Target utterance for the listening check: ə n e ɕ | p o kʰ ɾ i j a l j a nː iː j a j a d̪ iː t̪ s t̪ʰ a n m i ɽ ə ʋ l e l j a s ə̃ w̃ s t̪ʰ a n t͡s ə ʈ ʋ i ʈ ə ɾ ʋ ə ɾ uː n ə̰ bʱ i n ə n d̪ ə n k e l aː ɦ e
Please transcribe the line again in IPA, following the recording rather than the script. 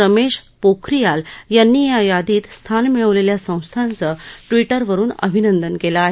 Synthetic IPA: ə m e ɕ | p o kʰ ɾ i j a l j a nː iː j a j a d̪ iː t̪ s t̪ʰ a n m i ɭ ə ʋ l e l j a s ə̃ w̃ s t̪ʰ a n t͡s ə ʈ ʋ i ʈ ə ɾ ʋ ə ɾ uː n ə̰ bʱ i n ə n d̪ ə n k e l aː ɦ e